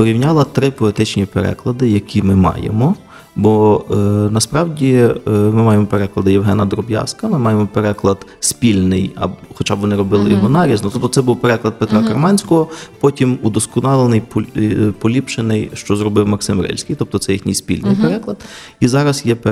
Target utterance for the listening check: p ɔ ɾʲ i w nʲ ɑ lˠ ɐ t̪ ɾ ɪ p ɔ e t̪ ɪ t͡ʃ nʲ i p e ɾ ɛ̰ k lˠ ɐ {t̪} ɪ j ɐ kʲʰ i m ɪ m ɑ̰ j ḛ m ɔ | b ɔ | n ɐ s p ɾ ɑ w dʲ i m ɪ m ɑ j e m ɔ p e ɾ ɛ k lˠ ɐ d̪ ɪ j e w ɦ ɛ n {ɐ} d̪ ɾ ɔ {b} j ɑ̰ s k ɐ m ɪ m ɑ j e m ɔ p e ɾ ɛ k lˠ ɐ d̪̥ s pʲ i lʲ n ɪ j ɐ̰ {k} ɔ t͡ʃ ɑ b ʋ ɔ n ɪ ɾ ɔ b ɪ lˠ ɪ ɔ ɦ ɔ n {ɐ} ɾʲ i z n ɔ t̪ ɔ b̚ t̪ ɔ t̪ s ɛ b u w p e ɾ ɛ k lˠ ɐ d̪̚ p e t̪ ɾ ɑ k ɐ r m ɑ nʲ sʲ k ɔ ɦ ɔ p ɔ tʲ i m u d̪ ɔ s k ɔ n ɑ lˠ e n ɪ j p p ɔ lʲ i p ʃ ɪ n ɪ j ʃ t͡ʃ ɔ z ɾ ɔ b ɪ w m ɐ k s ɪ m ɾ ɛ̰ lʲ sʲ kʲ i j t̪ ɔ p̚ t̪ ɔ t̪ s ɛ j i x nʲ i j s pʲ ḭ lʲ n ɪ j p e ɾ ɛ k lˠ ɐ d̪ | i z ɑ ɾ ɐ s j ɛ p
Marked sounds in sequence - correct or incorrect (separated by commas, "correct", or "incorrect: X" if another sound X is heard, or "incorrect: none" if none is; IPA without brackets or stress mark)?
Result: incorrect: d̪, correct, correct, incorrect: x, incorrect: ɑ